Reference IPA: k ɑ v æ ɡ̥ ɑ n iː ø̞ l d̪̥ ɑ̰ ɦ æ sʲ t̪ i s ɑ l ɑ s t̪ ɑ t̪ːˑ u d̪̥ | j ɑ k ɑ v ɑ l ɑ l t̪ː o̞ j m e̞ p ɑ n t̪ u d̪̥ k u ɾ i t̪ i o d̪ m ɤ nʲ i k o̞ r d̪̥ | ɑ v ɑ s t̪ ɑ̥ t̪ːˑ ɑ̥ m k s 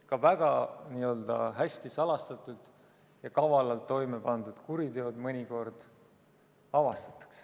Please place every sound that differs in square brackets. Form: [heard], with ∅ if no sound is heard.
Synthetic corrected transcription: k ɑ v æ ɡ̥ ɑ n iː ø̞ l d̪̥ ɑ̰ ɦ æ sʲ t̪ i s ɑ l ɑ s t̪ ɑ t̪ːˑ u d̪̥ | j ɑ k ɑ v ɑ l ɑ l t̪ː o̞ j m e̞ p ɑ n [d̪] u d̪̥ k u ɾ i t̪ [e] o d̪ m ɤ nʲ i k o̞ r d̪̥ | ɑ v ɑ s t̪ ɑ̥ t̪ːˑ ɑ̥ [∅] k s